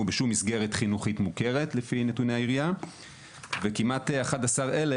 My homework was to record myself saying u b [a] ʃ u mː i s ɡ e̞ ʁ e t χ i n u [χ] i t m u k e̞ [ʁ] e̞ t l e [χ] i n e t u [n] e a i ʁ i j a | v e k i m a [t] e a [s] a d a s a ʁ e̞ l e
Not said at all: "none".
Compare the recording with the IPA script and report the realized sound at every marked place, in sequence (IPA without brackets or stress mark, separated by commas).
e, χ, ʁ, f, n, t, χ